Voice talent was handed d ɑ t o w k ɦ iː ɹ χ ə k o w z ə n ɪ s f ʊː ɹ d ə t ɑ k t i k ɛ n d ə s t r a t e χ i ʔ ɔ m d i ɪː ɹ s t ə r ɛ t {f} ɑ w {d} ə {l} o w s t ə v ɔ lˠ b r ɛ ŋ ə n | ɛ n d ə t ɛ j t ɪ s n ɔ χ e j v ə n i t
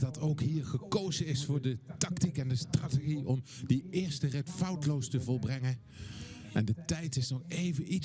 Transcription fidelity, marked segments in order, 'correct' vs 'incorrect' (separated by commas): correct, incorrect, correct